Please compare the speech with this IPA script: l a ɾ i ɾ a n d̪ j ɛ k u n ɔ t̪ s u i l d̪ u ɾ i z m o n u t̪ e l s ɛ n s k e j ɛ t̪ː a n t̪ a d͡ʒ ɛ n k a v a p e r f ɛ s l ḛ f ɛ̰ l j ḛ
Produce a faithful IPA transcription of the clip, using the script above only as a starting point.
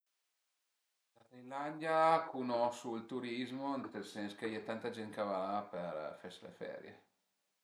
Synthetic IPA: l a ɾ i l a n d̪ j a k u n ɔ s u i l t̪ u ɾ i z m o n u t̪ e l s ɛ n s k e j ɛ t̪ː a n t̪ a d͡ʒ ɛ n k a v a p e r f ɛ s l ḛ f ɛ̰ ɾ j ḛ